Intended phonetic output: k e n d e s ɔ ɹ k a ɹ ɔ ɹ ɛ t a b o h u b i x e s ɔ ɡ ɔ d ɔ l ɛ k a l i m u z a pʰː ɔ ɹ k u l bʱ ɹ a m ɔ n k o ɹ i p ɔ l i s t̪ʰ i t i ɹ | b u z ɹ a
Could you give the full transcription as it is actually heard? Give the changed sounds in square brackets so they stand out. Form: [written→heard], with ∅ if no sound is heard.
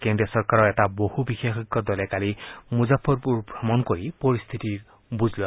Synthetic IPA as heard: k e n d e s ɔ ɹ k a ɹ ɔ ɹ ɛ t a b o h u b i x e [s→x] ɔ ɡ ɔ d ɔ l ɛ k a l i m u z a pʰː ɔ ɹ [k→p] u [l→ɹ] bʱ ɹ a m ɔ n k o ɹ i p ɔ [l→ɹ] i s t̪ʰ i t i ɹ | b u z [ɹ→l] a